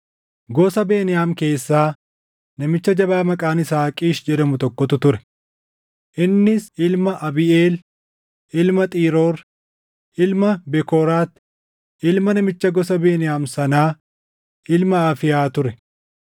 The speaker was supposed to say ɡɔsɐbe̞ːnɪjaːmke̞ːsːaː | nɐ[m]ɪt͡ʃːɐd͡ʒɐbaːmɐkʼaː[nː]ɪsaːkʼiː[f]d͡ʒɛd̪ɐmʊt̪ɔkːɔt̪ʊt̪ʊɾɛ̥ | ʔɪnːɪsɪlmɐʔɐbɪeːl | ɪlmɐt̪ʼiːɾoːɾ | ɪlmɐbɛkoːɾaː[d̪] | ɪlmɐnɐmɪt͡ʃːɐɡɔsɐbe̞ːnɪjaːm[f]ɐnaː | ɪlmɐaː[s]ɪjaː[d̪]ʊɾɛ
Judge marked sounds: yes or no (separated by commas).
yes, no, no, no, no, no, no